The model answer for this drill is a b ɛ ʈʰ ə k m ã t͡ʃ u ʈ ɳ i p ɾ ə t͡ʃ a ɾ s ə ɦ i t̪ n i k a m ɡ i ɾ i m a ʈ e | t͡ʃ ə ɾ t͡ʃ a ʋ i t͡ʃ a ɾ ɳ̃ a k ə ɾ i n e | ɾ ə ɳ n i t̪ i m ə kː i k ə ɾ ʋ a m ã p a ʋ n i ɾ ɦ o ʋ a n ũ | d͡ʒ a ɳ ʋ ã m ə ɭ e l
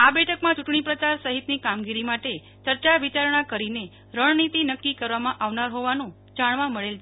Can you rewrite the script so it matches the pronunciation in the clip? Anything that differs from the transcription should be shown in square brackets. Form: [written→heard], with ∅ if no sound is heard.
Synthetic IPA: a b ɛ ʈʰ ə k m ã t͡ʃ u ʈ ɳ i p ɾ ə t͡ʃ a ɾ s ə ɦ i t̪ n i k a m ɡ i ɾ i m a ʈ e | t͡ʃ ə ɾ t͡ʃ a ʋ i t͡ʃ a ɾ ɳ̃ a k ə ɾ i n e | ɾ ə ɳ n i t̪ i [m→n] ə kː i k ə ɾ ʋ a m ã [p→ʔ] a ʋ n [i→a] ɾ ɦ o ʋ a n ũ | d͡ʒ a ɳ ʋ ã m ə ɭ e l

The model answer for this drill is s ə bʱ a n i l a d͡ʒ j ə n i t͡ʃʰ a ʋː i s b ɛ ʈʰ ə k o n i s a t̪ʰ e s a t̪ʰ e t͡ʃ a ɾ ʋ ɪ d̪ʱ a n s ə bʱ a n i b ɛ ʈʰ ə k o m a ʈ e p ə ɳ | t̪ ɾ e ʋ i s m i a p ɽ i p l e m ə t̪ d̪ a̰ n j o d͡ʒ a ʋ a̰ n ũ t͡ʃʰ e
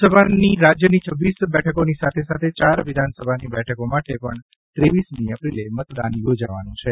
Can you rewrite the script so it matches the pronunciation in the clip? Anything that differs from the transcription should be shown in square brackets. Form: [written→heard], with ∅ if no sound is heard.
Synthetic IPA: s ə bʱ a n i [l→ɾ] a d͡ʒ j ə n i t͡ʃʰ [a→ə] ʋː i s b ɛ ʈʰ ə k o n i s a t̪ʰ e s a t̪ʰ e t͡ʃ a ɾ ʋ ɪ d̪ʱ a n s ə bʱ a n i b ɛ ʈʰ ə k o m a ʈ e p ə ɳ | t̪ ɾ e ʋ i s m i [a→ə] p [ɽ→ɾ] i [p→∅] l e m ə t̪ d̪ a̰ n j o d͡ʒ a ʋ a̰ n ũ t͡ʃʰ e

